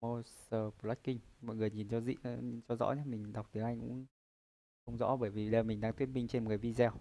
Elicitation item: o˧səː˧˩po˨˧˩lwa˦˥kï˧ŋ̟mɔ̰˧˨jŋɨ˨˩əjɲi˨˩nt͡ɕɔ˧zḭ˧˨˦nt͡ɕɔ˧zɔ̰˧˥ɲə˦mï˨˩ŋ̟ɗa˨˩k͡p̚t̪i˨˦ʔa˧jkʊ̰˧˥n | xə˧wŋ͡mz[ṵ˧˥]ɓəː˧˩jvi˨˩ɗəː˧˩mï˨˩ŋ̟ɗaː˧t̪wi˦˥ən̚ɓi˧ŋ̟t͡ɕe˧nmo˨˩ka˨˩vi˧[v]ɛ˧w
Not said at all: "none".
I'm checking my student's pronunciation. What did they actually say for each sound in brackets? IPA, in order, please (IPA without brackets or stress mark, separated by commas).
ɔ̰˧˥, z